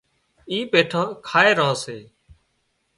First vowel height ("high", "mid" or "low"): high